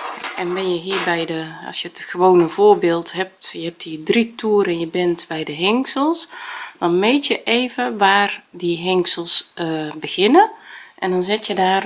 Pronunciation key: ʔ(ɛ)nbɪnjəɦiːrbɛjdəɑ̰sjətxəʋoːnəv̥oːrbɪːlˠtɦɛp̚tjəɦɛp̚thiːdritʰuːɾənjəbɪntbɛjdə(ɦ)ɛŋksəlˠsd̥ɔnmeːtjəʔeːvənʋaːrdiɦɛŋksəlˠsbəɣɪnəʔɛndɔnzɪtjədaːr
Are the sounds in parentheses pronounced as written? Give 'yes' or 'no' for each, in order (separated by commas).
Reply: yes, yes